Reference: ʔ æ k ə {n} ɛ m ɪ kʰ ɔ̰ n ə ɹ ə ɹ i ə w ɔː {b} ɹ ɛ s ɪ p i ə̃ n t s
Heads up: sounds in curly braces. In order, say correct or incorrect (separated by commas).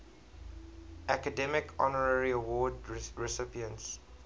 incorrect, incorrect